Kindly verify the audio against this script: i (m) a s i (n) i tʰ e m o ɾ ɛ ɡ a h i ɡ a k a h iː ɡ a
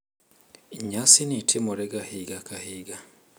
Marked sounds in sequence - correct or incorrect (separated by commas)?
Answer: incorrect, correct